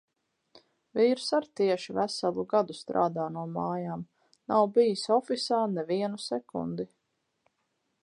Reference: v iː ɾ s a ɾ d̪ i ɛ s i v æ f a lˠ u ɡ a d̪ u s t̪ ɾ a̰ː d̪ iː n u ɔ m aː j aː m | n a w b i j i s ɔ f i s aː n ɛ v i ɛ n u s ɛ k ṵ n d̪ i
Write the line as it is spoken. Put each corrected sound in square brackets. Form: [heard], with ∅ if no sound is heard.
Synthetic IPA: v iː ɾ s a ɾ [t̪] i ɛ [ʃ] i v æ [s] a lˠ u ɡ a d̪ u s t̪ ɾ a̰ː d̪ [aː] n u ɔ m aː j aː m | n a w b i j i s ɔ f i s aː n ɛ v i ɛ n u s ɛ k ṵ n d̪ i